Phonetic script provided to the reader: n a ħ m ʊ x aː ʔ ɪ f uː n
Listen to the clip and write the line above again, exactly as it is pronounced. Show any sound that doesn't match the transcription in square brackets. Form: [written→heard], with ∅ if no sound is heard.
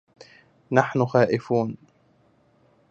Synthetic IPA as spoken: n a ħ [m→n] ʊ x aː ʔ ɪ f uː n